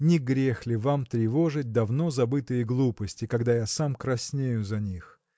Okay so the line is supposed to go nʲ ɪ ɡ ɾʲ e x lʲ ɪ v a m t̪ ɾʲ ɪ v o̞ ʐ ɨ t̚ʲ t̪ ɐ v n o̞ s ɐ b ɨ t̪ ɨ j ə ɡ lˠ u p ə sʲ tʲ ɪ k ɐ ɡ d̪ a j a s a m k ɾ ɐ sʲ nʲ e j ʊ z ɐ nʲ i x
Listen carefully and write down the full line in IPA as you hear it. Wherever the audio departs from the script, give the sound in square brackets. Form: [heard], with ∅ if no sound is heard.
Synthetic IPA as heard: nʲ ɪ ɡ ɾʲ e x lʲ ɪ v a m t̪ ɾʲ ɪ v o̞ ʐ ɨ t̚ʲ [d̪] ɐ v n o̞ [z] ɐ b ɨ t̪ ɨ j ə ɡ lˠ u p ə sʲ tʲ ɪ k ɐ ɡ d̪ a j a s a m k ɾ ɐ sʲ nʲ e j ʊ z ɐ nʲ i x